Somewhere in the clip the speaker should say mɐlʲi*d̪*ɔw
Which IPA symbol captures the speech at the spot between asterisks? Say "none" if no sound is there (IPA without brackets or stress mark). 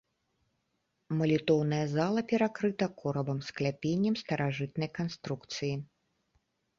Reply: t̪